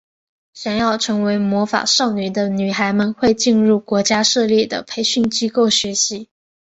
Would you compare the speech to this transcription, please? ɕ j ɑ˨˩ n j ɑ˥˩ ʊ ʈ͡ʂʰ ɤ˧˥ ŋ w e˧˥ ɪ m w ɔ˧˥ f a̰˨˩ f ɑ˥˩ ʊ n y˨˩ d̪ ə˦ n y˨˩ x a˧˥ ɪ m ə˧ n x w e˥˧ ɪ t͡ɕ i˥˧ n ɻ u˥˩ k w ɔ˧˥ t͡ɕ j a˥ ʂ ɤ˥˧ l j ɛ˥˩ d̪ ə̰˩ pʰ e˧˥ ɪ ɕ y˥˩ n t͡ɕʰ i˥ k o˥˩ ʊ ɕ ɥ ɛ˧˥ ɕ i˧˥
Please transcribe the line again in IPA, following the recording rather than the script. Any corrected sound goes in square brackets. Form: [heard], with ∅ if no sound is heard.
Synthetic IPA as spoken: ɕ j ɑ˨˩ n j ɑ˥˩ ʊ ʈ͡ʂʰ ɤ˧˥ ŋ w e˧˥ ɪ m w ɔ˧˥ f a̰˨˩ [ʂ] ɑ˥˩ ʊ n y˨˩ d̪ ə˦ n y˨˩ x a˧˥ ɪ m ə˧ n x w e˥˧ ɪ t͡ɕ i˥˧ n ɻ u˥˩ k w ɔ˧˥ t͡ɕ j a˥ ʂ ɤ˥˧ l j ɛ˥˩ d̪ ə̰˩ pʰ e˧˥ ɪ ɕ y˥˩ n [t͡ɕ] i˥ k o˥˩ ʊ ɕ ɥ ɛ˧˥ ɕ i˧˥

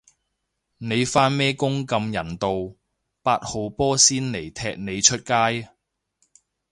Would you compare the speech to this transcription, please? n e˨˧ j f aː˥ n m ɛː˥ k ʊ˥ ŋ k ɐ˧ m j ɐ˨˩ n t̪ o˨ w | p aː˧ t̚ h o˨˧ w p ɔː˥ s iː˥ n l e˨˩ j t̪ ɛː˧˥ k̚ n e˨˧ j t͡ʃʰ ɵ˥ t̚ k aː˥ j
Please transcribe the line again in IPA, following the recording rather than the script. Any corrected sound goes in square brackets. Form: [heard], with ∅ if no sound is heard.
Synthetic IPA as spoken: n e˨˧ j f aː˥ n m ɛː˥ k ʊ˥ ŋ k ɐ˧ m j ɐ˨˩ n t̪ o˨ w | p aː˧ t̚ h o˨˧ w p ɔː˥ s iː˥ n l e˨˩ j [t̪ʰ] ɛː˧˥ k̚ n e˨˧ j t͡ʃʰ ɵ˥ t̚ k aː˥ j

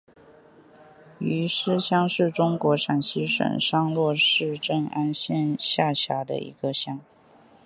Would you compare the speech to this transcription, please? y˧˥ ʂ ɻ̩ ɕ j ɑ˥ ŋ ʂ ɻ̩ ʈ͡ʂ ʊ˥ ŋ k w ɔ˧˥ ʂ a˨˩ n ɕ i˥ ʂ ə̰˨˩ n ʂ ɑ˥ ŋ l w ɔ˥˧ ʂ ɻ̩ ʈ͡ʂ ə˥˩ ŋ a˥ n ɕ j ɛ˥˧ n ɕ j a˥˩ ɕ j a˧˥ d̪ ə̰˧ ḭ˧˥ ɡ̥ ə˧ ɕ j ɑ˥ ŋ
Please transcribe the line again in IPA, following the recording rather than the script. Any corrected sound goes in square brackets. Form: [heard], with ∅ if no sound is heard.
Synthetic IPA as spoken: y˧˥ ʂ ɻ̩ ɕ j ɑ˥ ŋ ʂ ɻ̩ ʈ͡ʂ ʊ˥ ŋ k w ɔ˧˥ ʂ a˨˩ n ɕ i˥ ʂ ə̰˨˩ n ʂ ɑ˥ ŋ l w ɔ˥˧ ʂ ɻ̩ ʈ͡ʂ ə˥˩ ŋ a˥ n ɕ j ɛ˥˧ n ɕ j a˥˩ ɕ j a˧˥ d̪ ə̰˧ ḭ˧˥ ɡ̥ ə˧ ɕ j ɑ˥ ŋ

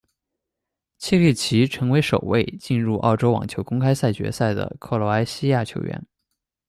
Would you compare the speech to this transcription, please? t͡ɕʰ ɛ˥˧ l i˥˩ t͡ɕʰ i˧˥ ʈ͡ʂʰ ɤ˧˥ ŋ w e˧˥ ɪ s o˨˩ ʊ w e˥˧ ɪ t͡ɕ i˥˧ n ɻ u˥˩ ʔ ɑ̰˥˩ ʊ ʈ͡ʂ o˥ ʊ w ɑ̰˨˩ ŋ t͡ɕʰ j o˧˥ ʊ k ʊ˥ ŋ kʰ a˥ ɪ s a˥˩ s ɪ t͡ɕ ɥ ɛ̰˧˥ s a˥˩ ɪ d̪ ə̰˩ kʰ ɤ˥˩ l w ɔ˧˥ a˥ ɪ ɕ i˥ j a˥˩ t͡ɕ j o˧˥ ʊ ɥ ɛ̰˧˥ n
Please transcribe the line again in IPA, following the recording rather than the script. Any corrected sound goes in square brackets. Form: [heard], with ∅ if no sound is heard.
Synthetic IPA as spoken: t͡ɕʰ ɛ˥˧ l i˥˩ t͡ɕʰ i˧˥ ʈ͡ʂʰ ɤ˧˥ ŋ w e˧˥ ɪ [ʂ] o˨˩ ʊ w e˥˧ ɪ t͡ɕ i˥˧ n ɻ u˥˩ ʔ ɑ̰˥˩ ʊ ʈ͡ʂ o˥ ʊ w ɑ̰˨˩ ŋ t͡ɕʰ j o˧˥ ʊ k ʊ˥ ŋ kʰ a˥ ɪ s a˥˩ [∅] ɪ t͡ɕ ɥ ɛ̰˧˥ s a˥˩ ɪ d̪ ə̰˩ kʰ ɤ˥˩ l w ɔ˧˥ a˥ ɪ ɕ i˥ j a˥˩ [t͡ɕʰ] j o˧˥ ʊ ɥ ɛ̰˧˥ n

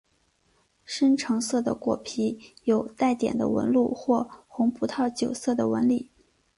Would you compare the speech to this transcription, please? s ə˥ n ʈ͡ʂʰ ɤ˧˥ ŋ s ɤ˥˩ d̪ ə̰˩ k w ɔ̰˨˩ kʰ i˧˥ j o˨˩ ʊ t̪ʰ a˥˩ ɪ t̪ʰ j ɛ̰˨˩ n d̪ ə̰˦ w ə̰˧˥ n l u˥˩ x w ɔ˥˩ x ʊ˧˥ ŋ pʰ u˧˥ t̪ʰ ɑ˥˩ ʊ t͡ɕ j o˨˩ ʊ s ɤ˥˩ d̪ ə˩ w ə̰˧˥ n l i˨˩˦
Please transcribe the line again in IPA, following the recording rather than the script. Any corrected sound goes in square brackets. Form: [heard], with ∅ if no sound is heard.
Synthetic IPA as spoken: [ʂ] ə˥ n ʈ͡ʂʰ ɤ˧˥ ŋ s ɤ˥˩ d̪ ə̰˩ k w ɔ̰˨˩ [pʰ] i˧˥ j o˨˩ ʊ [t̪] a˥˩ ɪ [t̪] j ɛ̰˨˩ n d̪ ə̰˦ w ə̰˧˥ n l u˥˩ x w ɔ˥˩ x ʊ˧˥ ŋ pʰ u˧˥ t̪ʰ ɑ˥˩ ʊ t͡ɕ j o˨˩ ʊ s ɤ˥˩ d̪ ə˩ w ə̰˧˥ n l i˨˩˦

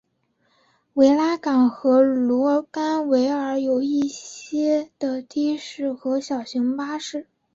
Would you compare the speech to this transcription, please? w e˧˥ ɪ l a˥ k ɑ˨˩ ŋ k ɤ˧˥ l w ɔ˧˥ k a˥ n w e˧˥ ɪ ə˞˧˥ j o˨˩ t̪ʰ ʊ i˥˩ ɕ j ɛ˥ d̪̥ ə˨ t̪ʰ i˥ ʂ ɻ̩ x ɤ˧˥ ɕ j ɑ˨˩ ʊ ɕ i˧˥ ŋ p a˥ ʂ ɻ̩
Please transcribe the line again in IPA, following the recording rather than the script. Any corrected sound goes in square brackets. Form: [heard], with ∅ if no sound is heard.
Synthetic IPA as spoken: w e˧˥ ɪ l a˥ k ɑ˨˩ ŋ [x] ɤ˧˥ l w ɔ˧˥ k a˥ n w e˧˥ ɪ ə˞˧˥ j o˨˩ [∅] ʊ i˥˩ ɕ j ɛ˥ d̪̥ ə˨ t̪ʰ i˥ ʂ ɻ̩ x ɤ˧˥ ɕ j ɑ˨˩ ʊ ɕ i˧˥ ŋ p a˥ ʂ ɻ̩

